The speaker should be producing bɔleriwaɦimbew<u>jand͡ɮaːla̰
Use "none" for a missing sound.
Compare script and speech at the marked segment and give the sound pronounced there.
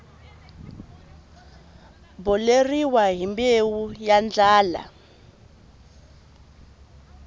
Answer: u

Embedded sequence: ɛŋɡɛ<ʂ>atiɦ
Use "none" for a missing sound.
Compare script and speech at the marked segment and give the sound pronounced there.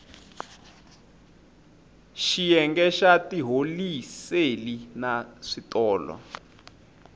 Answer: ʃ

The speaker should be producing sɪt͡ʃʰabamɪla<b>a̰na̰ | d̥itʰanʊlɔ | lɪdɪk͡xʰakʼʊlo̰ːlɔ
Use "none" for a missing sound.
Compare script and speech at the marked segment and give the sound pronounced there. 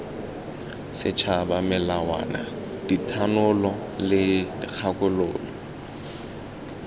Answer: w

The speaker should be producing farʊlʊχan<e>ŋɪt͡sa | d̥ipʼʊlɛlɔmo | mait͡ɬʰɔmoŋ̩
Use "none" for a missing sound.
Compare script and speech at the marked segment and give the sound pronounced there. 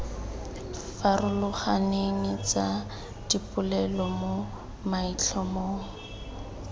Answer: e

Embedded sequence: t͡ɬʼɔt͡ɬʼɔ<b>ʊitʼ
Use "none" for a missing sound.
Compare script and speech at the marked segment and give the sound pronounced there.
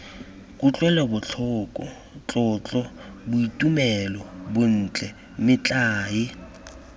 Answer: b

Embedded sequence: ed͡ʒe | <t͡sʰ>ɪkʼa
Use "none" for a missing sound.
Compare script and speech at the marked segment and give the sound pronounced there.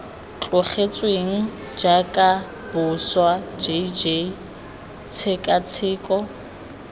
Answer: t͡sʰ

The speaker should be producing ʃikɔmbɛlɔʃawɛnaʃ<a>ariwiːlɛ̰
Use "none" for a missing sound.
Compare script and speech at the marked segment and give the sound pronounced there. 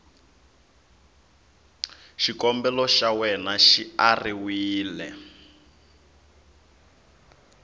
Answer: i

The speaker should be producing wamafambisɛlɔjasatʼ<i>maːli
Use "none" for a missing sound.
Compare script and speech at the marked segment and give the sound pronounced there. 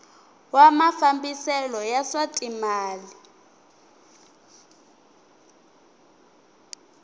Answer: i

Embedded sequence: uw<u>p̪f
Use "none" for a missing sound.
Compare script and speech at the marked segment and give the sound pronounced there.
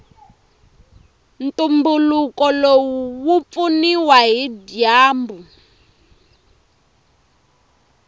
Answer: u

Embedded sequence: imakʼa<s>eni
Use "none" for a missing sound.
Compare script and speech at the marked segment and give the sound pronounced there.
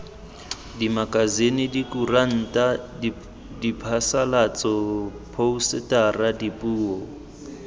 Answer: z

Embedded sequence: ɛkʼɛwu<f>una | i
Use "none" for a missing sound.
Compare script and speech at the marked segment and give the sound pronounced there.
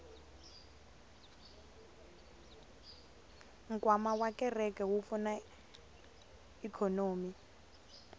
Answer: f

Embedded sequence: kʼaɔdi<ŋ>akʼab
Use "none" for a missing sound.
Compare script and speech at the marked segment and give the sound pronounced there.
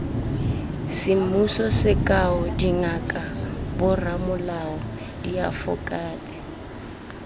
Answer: ŋ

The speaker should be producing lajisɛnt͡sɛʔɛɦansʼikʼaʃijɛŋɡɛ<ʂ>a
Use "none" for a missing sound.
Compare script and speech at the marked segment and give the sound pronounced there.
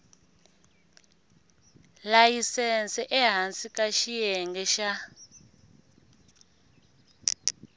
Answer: ʃ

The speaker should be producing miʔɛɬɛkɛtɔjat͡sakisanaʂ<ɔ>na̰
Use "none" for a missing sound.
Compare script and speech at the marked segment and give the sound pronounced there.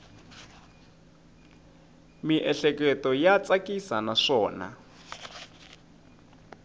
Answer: ɔː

